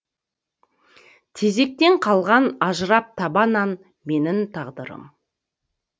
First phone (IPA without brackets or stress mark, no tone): t̪ʰ